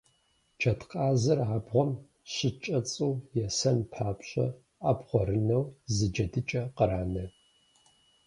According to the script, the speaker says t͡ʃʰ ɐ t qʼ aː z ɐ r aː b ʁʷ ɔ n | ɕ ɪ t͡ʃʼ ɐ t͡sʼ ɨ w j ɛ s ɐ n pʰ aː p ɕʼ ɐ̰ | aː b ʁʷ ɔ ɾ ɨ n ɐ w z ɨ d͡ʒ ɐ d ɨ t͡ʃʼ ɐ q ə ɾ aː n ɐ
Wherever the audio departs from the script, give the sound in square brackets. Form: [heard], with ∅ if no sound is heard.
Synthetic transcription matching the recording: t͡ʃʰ ɐ t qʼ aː z ɐ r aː b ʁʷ ɔ [m] | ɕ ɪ t͡ʃʼ ɐ t͡sʼ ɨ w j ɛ s ɐ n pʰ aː p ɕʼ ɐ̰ | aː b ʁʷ ɔ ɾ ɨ n ɐ w z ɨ d͡ʒ ɐ d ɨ t͡ʃʼ ɐ q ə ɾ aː n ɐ